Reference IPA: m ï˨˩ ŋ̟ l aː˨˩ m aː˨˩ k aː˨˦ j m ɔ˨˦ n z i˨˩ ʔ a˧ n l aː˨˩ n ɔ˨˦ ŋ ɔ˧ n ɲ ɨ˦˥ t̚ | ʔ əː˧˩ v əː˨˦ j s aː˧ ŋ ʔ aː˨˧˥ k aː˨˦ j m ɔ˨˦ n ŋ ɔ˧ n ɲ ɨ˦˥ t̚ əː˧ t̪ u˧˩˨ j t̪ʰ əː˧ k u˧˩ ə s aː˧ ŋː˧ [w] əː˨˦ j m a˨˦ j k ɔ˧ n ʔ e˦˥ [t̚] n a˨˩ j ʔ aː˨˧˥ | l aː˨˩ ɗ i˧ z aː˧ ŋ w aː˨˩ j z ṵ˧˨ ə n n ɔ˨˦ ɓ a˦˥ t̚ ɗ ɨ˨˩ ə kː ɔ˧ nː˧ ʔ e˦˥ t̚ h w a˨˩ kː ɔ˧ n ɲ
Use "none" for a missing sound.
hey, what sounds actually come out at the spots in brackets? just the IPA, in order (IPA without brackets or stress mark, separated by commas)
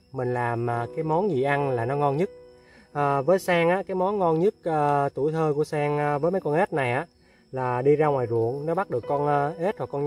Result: v, t̚